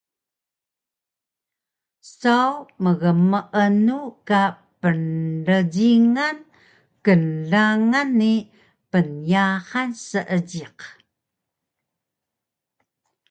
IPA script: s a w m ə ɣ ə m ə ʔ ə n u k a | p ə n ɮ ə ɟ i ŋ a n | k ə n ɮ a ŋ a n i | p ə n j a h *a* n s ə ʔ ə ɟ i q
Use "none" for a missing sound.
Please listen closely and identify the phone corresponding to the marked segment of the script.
a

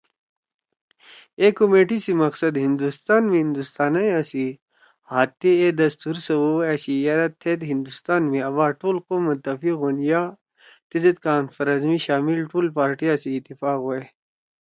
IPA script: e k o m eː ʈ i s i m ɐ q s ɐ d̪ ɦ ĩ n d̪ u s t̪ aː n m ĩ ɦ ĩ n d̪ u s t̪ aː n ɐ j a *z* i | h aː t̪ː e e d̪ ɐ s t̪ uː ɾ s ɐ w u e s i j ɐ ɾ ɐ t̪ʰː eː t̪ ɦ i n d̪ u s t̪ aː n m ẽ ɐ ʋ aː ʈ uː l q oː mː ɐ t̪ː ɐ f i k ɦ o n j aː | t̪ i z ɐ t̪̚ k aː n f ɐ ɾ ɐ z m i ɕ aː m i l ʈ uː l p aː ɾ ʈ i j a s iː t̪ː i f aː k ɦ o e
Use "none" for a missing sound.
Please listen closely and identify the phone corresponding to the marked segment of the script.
s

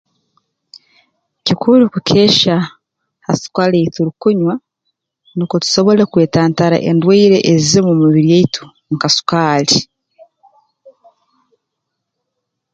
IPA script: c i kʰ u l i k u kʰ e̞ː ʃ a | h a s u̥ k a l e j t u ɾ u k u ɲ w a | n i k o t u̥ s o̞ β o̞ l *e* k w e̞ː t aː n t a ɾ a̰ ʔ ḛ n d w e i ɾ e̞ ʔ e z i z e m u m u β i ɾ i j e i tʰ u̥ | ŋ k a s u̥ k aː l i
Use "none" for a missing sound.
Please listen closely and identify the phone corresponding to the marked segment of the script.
e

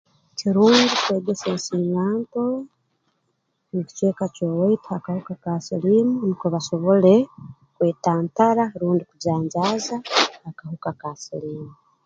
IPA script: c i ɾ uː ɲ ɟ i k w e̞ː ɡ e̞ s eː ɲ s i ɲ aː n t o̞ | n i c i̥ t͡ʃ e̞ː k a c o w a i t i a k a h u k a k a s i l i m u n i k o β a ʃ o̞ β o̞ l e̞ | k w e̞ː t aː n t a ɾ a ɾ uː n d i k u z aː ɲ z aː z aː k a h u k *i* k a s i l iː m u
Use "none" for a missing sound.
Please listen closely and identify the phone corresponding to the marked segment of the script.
a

